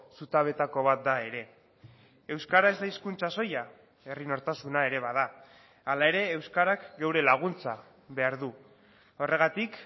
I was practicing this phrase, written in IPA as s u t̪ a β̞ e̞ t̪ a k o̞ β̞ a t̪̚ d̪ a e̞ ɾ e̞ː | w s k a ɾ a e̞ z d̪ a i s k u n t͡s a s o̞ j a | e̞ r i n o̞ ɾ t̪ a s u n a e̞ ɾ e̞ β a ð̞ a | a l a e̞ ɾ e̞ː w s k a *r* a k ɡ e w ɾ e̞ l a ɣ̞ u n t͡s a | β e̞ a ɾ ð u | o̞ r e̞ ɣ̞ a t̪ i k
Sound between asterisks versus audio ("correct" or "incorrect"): incorrect